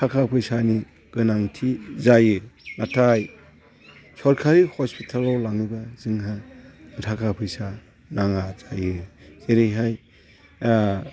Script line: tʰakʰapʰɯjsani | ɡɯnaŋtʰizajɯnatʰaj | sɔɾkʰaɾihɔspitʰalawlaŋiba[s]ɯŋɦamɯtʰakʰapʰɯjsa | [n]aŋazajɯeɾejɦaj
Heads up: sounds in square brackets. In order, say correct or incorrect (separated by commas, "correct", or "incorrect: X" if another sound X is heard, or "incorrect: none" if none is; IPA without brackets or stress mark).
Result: incorrect: z, correct